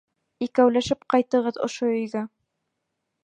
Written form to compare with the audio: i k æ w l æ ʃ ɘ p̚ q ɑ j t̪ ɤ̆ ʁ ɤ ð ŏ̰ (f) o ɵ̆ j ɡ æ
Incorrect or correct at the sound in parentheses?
incorrect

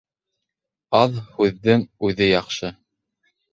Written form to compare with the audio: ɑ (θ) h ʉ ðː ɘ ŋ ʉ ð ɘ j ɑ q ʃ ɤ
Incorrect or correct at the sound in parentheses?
incorrect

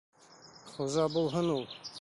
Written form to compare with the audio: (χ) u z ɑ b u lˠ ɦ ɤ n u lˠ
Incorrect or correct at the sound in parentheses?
correct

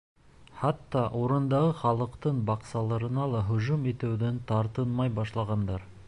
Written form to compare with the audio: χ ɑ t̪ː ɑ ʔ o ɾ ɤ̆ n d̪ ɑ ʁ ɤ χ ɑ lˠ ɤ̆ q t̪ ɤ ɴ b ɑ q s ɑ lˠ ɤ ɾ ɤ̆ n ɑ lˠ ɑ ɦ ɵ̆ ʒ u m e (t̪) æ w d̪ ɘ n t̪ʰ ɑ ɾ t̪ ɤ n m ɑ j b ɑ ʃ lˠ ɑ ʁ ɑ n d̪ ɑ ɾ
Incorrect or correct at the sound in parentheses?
correct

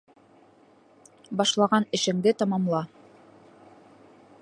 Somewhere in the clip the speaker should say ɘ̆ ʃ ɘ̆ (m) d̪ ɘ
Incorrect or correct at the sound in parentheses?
incorrect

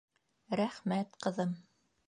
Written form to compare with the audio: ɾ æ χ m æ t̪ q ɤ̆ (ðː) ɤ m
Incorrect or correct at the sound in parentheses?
incorrect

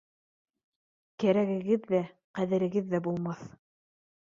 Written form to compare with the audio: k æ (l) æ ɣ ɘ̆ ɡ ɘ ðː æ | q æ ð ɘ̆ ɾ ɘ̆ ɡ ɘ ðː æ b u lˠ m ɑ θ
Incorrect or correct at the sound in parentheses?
incorrect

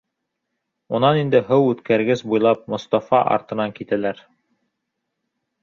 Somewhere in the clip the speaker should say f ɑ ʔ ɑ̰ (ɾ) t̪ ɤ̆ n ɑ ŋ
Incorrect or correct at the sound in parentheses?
correct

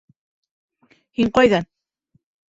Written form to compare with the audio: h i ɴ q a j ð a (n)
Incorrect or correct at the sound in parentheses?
correct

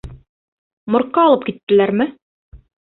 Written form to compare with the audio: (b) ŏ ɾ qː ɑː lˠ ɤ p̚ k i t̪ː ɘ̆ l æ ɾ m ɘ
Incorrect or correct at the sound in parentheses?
incorrect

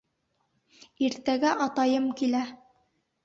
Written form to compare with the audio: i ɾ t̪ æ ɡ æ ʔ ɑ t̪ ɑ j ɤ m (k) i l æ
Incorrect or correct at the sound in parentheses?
correct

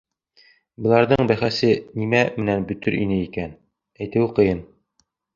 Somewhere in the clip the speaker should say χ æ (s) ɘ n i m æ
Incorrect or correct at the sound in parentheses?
correct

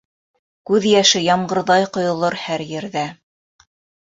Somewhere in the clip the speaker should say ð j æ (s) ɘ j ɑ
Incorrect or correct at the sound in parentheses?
incorrect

